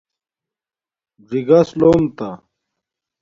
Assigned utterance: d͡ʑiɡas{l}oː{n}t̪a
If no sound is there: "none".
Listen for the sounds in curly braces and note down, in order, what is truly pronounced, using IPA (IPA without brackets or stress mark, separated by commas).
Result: l, m